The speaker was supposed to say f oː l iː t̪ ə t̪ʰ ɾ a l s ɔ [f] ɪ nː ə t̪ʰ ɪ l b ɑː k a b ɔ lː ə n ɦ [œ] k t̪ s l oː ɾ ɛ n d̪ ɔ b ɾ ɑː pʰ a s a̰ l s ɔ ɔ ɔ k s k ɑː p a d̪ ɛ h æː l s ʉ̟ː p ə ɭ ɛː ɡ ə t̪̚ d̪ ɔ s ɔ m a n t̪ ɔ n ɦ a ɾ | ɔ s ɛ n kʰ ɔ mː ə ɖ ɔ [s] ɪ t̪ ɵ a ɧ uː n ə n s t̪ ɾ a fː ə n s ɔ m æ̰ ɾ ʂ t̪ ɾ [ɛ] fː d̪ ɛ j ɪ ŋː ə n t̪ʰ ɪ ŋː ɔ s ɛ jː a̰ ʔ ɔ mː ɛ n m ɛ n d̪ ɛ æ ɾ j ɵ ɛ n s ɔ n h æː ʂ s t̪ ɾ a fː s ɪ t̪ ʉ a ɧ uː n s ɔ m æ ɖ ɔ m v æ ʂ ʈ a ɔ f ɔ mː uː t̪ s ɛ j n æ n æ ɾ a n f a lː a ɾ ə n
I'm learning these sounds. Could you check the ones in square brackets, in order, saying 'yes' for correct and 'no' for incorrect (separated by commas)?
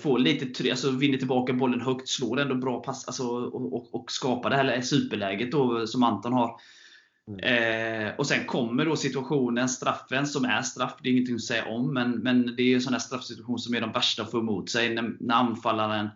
no, yes, yes, no